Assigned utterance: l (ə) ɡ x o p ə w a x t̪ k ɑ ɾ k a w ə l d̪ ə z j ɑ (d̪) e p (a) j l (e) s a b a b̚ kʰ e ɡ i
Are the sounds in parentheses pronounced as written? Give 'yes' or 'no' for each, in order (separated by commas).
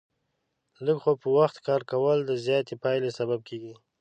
yes, no, no, yes